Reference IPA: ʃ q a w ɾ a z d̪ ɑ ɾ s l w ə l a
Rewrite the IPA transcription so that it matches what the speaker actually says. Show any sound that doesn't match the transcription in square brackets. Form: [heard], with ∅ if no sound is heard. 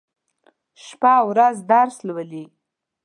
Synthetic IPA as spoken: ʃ [p] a w ɾ a z d̪ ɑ ɾ s l w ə l [i]